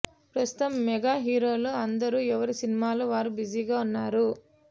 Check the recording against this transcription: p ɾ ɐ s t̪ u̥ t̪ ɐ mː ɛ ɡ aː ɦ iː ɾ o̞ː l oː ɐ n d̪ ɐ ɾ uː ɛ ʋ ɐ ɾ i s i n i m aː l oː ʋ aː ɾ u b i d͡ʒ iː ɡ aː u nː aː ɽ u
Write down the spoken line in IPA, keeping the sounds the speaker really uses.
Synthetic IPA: p ɾ ɐ s t̪ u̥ t̪ ɐ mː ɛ ɡ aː ɦ iː ɾ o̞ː l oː ɐ n d̪ ɐ ɾ uː ɛ ʋ ɐ ɾ i s i n i m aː l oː ʋ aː ɾ u b i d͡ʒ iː ɡ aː u nː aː ɾ u

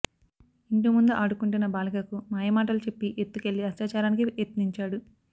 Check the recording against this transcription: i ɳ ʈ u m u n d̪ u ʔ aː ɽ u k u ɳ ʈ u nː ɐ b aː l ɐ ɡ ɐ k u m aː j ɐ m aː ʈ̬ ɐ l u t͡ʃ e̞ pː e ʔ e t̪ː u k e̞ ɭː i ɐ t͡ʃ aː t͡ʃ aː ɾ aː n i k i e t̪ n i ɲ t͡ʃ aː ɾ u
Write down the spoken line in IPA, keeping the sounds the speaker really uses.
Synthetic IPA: i ɳ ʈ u m u n d̪ u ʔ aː ɽ u k u ɳ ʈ u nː ɐ b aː l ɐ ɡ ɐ k u m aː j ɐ m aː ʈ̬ ɐ l u t͡ʃ e̞ pː i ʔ e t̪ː u k e̞ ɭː i ɐ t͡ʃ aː t͡ʃ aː ɾ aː n i k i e t̪ n i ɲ t͡ʃ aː ɽ u

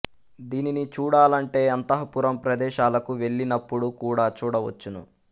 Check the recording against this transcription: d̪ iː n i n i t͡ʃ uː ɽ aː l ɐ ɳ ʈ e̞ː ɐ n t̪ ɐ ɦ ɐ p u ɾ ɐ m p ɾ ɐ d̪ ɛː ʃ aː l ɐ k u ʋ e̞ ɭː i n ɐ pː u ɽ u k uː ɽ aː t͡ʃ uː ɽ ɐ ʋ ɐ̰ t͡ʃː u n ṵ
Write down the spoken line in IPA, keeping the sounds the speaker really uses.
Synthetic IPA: d̪ iː n i n i t͡ʃ uː ɽ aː l ɐ ɳ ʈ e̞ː ɐ n t̪ ɐ ɦ ɐ p u ɾ ɐ m p ɾ ɐ d̪ ɛː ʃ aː l ɐ k u ʋ e̞ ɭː i n ɐ pː u ɽ u k uː ɽ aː t͡ʃ uː ɽ ɐ ʋ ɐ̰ t͡ʃː u n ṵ

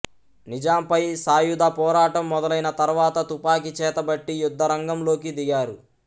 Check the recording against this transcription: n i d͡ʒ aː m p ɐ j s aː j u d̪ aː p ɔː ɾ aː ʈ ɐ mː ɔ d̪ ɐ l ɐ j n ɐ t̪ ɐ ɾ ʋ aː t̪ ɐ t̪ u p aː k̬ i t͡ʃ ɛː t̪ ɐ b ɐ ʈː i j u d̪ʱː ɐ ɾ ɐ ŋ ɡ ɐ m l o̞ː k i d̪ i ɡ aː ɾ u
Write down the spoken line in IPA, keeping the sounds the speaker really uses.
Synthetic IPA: n i d͡ʒ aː m p ɐ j s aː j u d̪ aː p ɔː ɾ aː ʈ ɐ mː ɔ d̪ ɐ l ɐ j n ɐ t̪ ɐ ɾ ʋ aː t̪ ɐ t̪ u p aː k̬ i t͡ʃ ɛː t̪ ɐ b ɐ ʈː i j u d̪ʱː ɐ ɾ ɐ ŋ ɡ ɐ m l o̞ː k i d̪ i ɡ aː ɾ u

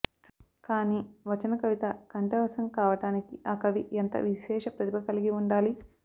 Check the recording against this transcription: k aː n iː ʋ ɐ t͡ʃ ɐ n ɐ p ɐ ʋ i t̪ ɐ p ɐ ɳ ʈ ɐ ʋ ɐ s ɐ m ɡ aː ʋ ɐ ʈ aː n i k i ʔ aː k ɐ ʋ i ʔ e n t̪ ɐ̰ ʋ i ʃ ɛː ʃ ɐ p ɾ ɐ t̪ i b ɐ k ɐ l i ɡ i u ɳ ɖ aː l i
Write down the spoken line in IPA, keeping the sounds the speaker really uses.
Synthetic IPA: k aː n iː ʋ ɐ t͡ʃ ɐ n ɐ k ɐ ʋ i t̪ ɐ k ɐ ɳ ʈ ɐ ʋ ɐ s ɐ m k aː ʋ ɐ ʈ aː n i k i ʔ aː k ɐ ʋ i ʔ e n t̪ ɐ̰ ʋ i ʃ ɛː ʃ ɐ p ɾ ɐ t̪ i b ɐ k ɐ l i ɡ i u ɳ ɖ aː l i

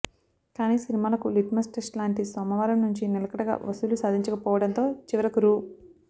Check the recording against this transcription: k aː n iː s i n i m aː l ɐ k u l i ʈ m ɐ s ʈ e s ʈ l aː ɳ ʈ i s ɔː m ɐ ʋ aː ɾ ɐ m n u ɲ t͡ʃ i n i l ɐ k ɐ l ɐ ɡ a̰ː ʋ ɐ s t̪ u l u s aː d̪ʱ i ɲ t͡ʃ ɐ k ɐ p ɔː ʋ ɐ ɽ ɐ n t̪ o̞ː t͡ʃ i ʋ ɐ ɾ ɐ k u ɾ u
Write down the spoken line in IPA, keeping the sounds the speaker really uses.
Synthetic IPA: k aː n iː s i n i m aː l ɐ k u l i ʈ m ɐ s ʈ e s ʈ l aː ɳ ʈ i s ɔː m ɐ ʋ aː ɾ ɐ m n u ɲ t͡ʃ i n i l ɐ k ɐ ɽ ɐ ɡ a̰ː ʋ ɐ s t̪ u l u s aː d̪ʱ i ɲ t͡ʃ ɐ k ɐ p ɔː ʋ ɐ ɽ ɐ n t̪ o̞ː t͡ʃ i ʋ ɐ ɾ ɐ k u ɾ u

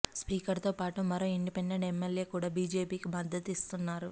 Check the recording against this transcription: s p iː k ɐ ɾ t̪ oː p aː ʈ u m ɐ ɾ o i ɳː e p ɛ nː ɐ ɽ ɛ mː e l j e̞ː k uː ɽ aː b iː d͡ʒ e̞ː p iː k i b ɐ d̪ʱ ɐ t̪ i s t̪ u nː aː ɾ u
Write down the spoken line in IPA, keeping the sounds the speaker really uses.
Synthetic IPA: s p iː k ɐ ɾ t̪ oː p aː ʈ u m ɐ ɾ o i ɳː i p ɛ nː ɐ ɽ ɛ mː e l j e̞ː k uː ɽ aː b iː d͡ʒ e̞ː p iː k i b ɐ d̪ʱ ɐ t̪ i s t̪ u nː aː ɾ u

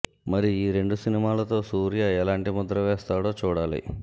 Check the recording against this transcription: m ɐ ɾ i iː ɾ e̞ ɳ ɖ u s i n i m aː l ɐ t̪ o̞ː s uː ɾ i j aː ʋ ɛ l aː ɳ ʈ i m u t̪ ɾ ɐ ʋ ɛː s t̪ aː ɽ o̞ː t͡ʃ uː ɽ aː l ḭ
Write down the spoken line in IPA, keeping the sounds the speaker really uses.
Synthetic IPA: m ɐ ɾ i iː ɾ e̞ ɳ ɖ u s i n i m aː l ɐ t̪ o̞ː s uː ɾ i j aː ɛ l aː ɳ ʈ i m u d̪ ɾ ɐ ʋ ɛː s t̪ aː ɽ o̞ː t͡ʃ uː ɽ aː l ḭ

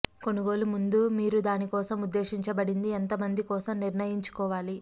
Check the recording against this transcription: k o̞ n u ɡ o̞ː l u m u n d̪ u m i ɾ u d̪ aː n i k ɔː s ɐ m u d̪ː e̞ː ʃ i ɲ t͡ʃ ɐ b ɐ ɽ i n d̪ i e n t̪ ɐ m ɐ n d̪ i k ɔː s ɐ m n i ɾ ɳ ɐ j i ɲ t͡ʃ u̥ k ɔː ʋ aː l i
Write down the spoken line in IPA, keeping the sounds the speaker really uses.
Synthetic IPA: k o̞ n u ɡ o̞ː l u m u n d̪ u m iː ɾ u d̪ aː n i k ɔː s ɐ m u d̪ː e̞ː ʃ i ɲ t͡ʃ ɐ b ɐ ɽ i n d̪ i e n t̪ ɐ m ɐ n d̪ i k ɔː s ɐ m n i ɾ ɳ ɐ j i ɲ t͡ʃ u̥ k ɔː ʋ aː l i

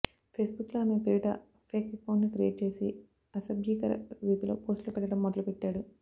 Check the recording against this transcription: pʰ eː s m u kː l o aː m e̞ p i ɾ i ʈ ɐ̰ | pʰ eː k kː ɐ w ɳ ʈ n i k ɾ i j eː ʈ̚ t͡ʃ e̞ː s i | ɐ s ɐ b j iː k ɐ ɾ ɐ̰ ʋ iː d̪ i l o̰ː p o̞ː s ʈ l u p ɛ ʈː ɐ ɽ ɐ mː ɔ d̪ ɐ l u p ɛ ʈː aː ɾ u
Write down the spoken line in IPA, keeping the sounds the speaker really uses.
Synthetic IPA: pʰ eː s b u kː l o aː m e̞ p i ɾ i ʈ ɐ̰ | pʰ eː k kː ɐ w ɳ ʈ n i k ɾ i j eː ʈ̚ t͡ʃ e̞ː s i | ɐ s ɐ b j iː k ɐ ɾ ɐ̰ ʋ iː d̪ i l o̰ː p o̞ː s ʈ l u p ɛ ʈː ɐ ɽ ɐ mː ɔ d̪ ɐ l u p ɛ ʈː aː ɽ u

